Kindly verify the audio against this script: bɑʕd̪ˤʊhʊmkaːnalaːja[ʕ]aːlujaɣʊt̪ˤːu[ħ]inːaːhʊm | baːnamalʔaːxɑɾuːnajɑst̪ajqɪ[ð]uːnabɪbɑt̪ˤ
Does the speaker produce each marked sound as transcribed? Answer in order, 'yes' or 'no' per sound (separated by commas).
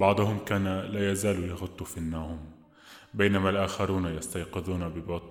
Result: no, no, yes